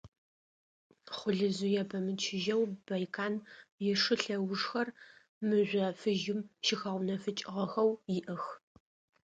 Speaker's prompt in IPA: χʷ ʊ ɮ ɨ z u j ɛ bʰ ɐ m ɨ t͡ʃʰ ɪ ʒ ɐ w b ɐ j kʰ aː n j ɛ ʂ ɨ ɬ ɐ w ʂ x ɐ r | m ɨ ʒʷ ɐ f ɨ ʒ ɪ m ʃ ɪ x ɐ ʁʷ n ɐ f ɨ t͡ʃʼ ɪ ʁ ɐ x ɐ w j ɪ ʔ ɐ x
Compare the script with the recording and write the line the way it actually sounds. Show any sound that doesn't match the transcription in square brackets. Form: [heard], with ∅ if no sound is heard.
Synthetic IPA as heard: χʷ ʊ ɮ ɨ z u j ɛ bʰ ɐ m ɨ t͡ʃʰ ɪ ʒ ɐ w b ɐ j kʰ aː n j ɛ ʂ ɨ ɬ ɐ w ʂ x ɐ r | m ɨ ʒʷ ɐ f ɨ ʒ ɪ m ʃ ɪ x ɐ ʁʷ n ɐ f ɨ t͡ʃʼ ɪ ʁ ɐ x ɐ w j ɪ ʔ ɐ x